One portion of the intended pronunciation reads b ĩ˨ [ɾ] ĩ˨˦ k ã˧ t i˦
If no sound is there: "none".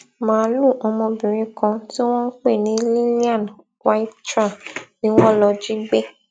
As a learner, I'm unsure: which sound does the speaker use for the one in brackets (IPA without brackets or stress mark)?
ɾ